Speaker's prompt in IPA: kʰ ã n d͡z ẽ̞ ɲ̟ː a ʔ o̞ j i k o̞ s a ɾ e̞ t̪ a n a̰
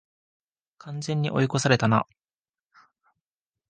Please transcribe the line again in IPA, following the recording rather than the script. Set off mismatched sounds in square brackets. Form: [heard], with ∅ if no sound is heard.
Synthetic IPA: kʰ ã n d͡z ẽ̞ ɲ̟ː [i] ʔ o̞ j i k o̞ s a ɾ e̞ t̪ a n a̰